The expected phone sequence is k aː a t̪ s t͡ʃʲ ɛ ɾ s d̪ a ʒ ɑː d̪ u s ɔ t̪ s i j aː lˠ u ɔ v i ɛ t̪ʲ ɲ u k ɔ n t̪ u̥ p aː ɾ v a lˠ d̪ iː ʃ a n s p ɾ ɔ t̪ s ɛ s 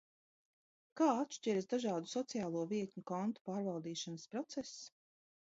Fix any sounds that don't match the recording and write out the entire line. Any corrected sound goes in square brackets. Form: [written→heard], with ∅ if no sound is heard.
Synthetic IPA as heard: k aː a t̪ [s→ʃ] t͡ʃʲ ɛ ɾ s d̪ a ʒ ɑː d̪ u s ɔ t̪ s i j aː lˠ u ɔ v i ɛ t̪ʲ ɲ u k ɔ n t̪ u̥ p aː ɾ v a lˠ d̪ iː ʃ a n s p ɾ ɔ t̪ s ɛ s